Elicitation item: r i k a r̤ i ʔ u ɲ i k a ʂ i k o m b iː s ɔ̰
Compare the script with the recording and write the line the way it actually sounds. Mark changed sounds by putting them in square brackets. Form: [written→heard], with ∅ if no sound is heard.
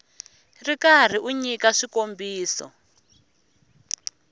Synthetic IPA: r i k a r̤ i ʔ u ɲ i k a ʂ i k o m b iː s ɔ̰